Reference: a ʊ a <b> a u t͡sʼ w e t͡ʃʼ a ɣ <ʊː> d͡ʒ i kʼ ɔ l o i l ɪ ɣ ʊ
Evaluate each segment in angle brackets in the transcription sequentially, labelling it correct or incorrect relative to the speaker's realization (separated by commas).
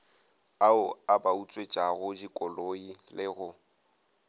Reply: correct, incorrect